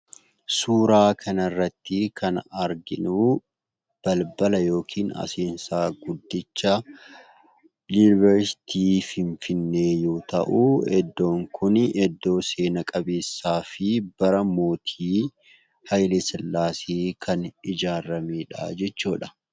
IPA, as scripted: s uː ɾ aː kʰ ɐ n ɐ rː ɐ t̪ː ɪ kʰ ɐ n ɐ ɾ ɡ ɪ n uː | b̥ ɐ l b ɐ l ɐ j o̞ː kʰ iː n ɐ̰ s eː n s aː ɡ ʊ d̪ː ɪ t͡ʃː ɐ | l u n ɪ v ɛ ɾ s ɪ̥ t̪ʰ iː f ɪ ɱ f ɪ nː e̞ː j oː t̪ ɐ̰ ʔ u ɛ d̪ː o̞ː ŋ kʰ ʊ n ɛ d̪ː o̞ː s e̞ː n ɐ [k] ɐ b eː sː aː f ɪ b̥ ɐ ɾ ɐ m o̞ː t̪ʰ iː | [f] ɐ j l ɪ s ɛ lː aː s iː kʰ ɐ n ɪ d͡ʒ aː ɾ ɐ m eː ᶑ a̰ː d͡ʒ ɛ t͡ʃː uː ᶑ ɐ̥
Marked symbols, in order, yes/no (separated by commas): no, no